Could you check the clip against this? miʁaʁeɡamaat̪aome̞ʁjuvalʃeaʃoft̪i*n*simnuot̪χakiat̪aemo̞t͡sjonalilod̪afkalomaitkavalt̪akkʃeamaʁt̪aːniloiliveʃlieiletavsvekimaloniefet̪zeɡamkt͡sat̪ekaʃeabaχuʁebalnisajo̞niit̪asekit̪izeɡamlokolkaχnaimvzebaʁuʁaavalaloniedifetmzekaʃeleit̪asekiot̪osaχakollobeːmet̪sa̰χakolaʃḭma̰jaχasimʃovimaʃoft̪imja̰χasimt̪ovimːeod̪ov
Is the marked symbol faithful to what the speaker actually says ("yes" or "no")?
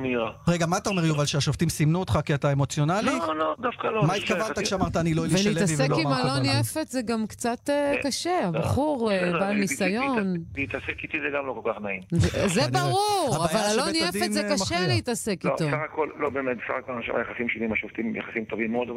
no